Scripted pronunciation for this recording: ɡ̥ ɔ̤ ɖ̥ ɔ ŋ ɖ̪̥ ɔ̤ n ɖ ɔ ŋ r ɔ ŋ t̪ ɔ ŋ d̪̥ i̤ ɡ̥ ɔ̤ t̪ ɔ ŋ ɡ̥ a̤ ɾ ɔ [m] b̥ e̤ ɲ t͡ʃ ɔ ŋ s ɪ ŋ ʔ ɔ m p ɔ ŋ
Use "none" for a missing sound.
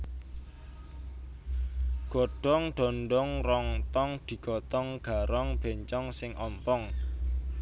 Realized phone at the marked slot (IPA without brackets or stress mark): ŋ